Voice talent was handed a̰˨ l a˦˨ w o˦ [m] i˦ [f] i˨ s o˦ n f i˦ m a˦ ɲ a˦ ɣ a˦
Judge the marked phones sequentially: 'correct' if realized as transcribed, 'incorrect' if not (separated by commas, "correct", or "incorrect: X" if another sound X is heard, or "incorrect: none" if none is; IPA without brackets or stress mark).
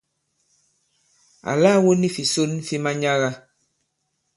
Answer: incorrect: n, correct